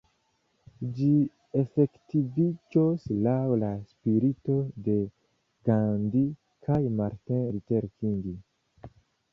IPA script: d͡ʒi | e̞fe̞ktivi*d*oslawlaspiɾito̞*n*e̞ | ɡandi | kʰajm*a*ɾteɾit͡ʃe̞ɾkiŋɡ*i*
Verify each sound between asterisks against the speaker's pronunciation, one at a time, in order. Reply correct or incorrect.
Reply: incorrect: d͡ʒ, incorrect: d, correct, correct

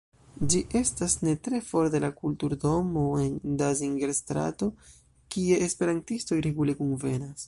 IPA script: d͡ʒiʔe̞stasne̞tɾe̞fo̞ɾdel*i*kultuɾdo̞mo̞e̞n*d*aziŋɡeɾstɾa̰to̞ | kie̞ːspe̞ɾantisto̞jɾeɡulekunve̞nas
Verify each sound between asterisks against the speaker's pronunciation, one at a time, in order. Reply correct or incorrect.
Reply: incorrect: a, correct

